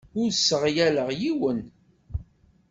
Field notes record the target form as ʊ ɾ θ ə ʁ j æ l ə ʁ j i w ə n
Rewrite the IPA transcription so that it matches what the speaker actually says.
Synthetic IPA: ʊ ɾ s ə ʁ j æ l ə ʁ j i w ə n